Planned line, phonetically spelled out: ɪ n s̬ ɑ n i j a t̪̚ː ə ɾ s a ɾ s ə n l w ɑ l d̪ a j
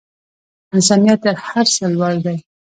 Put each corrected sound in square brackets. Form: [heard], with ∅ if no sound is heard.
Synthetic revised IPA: ɪ n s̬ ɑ n i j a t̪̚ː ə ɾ [h] a ɾ s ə [∅] l w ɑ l d̪ a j